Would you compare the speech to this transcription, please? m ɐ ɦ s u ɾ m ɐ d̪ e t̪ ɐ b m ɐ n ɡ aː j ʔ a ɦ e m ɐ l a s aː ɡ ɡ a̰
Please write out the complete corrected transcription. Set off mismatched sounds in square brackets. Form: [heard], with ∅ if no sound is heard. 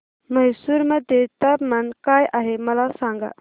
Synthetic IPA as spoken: m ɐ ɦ s u ɾ m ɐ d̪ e t̪ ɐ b m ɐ n [k] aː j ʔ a ɦ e m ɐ l a s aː [ŋ] ɡ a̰